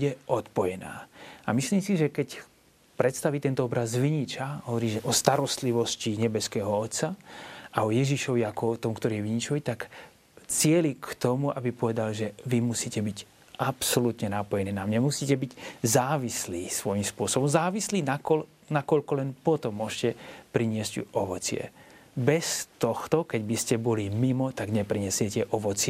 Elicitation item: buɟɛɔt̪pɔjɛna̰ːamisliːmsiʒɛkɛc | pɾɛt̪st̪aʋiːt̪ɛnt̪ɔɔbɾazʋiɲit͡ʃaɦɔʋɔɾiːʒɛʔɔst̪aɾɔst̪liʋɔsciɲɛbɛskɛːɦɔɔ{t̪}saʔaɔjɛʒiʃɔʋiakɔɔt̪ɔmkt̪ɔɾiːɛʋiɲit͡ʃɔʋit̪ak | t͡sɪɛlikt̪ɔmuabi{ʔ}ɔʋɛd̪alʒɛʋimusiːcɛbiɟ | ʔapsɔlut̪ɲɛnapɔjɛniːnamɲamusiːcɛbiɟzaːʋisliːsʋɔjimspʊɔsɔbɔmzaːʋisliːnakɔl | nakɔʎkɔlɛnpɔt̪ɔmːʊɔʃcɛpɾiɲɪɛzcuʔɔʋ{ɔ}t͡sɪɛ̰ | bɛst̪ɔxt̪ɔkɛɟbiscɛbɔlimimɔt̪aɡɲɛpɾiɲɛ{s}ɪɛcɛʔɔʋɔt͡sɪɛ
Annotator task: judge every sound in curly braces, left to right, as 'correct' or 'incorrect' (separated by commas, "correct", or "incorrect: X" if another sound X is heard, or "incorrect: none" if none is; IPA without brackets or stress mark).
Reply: correct, incorrect: p, correct, correct